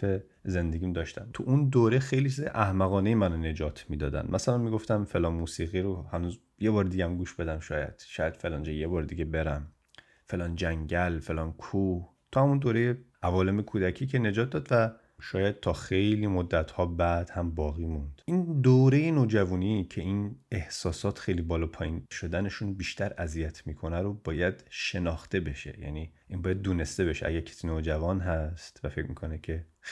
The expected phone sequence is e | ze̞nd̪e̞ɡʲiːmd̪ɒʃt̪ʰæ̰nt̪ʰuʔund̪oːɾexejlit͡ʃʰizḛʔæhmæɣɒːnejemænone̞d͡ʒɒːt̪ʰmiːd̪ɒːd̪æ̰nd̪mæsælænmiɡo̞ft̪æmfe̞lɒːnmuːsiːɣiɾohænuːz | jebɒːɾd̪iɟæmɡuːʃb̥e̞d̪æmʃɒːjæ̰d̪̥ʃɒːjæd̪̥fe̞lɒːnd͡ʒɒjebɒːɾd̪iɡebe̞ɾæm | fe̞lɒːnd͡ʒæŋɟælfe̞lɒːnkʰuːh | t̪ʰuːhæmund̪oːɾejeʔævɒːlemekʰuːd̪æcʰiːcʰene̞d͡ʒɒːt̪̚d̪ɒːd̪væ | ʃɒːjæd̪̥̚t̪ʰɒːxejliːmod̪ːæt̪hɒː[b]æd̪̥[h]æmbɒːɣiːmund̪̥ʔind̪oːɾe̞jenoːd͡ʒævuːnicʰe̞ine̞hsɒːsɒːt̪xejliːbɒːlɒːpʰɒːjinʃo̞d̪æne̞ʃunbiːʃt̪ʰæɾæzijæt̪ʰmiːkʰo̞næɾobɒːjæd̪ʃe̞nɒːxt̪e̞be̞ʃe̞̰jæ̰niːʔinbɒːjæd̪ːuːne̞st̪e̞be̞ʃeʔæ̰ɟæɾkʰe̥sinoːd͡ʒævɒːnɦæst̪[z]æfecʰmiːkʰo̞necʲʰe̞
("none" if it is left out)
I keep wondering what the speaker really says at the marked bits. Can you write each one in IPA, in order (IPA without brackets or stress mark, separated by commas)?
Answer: b, h, v